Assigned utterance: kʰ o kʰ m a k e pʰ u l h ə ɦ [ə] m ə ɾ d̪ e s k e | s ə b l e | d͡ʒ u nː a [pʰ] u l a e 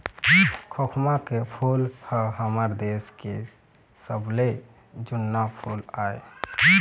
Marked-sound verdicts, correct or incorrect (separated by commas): correct, correct